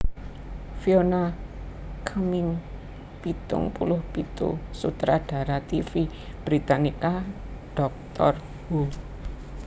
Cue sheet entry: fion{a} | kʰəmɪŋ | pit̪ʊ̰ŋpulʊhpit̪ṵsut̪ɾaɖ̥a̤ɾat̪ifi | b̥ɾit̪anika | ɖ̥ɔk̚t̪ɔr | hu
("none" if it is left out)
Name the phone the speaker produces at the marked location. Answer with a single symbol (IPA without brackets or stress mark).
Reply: a